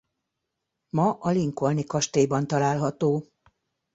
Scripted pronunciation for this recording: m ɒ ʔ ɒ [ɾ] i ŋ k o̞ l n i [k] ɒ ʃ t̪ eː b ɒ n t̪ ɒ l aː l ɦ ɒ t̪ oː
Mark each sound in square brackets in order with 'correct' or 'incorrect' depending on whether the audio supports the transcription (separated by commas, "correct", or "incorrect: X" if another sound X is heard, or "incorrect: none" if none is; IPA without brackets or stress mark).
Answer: incorrect: l, correct